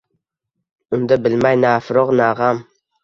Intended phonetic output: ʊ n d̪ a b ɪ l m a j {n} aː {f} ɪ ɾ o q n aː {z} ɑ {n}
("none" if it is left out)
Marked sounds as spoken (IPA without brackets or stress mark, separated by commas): n, f, ʁ, m